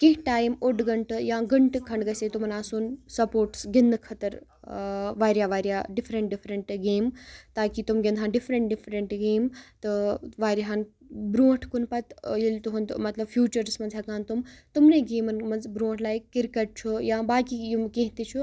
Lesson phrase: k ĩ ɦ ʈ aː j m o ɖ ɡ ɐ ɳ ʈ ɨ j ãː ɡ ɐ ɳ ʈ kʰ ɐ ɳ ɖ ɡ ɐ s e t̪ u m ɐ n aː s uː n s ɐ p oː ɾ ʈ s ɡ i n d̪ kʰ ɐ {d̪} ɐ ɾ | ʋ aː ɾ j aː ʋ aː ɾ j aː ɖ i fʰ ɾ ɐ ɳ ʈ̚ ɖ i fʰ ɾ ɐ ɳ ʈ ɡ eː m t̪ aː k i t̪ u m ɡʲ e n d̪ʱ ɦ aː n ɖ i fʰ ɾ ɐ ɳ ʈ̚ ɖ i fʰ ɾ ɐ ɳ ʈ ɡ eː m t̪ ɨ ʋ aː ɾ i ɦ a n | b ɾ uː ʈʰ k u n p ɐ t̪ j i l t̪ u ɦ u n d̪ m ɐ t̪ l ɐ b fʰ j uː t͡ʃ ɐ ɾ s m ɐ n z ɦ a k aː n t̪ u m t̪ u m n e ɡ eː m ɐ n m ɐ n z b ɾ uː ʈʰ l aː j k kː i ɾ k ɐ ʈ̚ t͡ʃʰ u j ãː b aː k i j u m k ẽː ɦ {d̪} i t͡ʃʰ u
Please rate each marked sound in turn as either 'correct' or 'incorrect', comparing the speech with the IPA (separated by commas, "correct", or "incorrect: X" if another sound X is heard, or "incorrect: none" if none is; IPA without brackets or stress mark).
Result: incorrect: t̪, incorrect: t̪